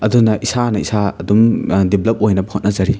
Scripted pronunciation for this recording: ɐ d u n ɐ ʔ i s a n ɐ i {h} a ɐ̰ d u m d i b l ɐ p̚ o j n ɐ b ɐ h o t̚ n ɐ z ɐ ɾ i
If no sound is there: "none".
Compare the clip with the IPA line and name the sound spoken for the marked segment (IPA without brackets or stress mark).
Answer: s